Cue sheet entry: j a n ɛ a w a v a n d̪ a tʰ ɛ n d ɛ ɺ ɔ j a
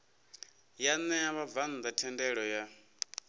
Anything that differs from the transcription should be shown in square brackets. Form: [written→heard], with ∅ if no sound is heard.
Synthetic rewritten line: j a n ɛ a [w→β] a v a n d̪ a tʰ ɛ n d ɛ ɺ ɔ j a